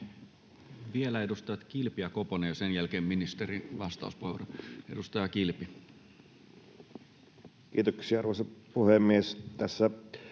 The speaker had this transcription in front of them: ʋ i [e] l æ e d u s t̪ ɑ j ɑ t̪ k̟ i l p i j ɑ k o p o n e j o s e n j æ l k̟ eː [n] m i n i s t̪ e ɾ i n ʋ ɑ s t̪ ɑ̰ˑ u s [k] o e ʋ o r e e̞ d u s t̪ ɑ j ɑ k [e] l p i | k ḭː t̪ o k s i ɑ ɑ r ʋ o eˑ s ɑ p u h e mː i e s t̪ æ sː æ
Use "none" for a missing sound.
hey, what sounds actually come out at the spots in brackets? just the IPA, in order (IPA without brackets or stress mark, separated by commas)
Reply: e, m, p, i